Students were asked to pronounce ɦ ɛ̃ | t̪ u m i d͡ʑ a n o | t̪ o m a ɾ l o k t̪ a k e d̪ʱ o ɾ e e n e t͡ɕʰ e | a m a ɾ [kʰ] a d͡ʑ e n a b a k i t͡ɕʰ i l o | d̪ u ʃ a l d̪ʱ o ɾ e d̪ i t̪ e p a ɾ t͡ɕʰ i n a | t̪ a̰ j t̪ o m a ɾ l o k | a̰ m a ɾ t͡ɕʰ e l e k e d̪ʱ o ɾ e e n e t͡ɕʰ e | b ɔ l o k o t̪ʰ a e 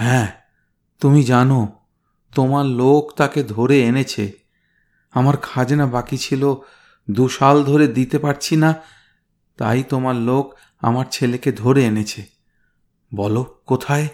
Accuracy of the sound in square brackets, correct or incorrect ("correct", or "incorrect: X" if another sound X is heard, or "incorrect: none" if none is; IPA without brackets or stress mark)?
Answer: correct